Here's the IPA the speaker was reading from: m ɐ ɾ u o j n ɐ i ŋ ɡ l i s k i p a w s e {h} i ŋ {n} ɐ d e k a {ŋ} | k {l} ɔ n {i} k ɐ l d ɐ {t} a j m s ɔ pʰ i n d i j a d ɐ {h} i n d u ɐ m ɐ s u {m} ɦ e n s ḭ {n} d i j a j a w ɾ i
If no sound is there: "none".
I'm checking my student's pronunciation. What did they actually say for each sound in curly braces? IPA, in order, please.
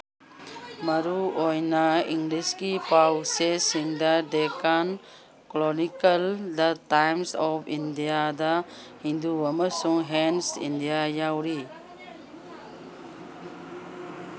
s, d, n, l, i, t, h, ŋ, n

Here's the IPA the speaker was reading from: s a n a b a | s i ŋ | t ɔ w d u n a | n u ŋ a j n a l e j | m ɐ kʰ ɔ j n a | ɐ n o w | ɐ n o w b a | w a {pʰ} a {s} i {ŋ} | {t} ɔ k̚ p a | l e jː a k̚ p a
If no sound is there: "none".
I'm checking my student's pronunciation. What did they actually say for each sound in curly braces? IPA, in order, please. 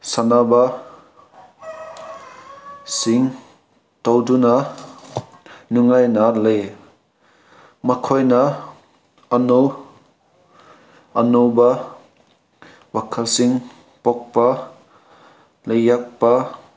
kʰ, s, ŋ, p

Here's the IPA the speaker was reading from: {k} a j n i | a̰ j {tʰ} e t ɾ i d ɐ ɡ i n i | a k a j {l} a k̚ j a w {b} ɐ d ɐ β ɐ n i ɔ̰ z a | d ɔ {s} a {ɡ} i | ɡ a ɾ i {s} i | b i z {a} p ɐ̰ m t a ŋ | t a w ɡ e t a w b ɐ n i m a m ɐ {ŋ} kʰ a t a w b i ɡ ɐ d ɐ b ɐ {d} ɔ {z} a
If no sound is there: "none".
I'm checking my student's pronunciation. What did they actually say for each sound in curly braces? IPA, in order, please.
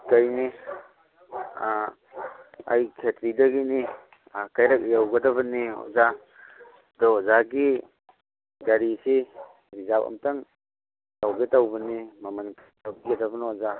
k, kʰ, ɾ, ɡ, z, ɡ, s, a, n, n, z

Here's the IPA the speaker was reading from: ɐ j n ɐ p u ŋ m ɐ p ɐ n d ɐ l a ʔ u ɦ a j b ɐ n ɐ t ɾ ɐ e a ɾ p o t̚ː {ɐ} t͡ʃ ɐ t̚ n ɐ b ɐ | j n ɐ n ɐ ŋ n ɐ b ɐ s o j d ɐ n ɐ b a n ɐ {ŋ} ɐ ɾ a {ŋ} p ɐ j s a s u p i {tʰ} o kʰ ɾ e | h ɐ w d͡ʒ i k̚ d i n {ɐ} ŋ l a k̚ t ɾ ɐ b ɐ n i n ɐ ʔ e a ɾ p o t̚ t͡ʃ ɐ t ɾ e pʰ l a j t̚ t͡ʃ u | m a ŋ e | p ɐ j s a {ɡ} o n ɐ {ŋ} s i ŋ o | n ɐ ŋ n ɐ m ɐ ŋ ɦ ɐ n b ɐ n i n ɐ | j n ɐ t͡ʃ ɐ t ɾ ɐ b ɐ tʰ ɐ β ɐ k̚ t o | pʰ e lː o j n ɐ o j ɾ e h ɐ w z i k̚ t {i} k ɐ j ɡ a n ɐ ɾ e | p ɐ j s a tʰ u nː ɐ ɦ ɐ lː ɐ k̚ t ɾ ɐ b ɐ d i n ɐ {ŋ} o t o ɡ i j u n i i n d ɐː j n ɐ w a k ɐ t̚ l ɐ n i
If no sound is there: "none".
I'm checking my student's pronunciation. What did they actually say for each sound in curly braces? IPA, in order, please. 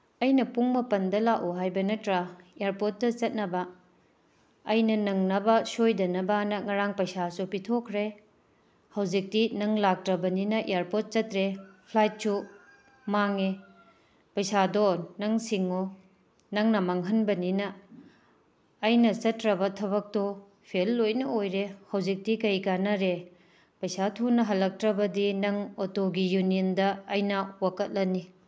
ɐ, ŋ, ŋ, tʰ, ɐ, d, ŋ, i, ŋ

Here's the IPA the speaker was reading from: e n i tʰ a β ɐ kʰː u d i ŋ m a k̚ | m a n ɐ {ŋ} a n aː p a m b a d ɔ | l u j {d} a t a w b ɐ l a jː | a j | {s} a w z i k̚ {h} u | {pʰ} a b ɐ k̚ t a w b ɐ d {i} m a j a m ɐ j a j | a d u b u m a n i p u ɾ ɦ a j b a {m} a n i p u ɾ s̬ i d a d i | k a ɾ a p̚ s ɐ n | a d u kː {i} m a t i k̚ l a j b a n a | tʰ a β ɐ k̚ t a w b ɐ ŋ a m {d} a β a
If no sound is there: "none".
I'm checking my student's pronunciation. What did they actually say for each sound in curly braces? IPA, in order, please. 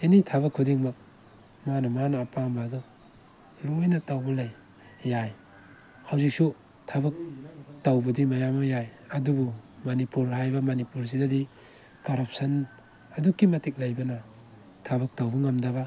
m, n, h, s, tʰ, i, m, i, d

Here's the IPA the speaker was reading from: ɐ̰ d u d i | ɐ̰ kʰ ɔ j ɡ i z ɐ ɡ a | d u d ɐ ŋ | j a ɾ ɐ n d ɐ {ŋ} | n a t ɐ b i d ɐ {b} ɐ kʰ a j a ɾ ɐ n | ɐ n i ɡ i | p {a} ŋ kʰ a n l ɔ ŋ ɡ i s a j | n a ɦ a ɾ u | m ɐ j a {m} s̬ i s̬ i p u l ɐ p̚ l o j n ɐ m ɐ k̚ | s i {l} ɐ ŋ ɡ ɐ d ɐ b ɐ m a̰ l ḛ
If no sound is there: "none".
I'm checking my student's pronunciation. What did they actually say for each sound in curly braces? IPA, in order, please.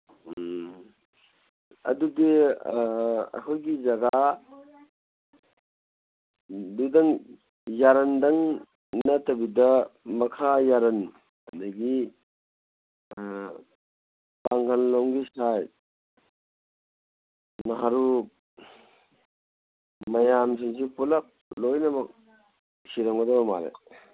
ŋ, m, a, m, ɾ

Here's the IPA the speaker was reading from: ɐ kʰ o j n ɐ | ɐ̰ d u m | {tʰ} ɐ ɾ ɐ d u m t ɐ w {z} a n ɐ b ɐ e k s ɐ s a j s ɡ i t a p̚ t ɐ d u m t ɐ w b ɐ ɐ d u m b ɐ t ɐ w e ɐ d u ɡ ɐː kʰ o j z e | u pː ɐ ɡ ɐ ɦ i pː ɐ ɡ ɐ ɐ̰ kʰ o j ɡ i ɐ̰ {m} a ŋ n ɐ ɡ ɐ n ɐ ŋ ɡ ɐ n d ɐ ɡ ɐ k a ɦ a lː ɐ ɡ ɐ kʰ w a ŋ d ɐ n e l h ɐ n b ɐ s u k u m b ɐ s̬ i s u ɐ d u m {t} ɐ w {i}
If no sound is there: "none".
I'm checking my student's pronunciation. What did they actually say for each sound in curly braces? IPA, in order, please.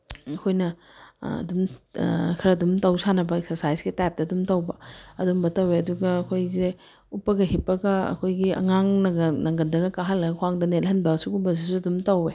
kʰ, s, ŋ, t, e

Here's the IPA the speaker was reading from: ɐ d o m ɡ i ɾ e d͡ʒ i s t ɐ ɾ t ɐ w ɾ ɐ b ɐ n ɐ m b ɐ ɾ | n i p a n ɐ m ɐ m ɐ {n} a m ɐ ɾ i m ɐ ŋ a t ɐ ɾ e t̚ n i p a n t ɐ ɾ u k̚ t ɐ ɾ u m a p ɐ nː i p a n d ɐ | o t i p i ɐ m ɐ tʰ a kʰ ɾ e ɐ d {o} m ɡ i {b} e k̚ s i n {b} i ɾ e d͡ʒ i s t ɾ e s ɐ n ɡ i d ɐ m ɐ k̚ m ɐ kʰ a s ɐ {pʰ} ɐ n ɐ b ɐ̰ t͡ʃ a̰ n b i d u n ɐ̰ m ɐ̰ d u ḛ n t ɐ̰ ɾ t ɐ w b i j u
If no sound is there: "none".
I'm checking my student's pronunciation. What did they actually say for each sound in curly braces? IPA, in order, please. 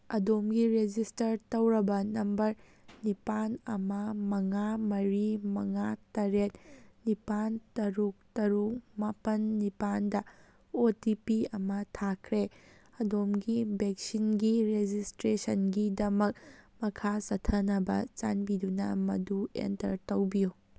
ŋ, o, b, ɡ, tʰ

